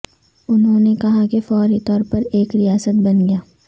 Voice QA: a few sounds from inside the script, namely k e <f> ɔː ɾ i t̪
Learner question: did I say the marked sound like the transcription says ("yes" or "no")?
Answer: yes